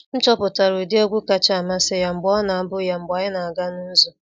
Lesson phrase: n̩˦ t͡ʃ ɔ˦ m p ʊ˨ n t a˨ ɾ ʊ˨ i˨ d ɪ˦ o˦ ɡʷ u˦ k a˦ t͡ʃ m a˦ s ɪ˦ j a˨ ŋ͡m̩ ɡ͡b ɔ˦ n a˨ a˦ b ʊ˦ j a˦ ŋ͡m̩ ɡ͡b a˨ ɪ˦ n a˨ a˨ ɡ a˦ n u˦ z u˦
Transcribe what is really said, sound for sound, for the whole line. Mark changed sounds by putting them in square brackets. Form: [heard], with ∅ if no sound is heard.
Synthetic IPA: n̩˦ t͡ʃ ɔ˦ [∅] p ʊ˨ [∅] t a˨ ɾ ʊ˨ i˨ d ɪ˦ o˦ ɡʷ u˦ k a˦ t͡ʃ m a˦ s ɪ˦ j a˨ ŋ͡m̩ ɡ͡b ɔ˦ n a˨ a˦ b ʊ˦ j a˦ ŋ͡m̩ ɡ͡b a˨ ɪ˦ n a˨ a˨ ɡ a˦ n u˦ z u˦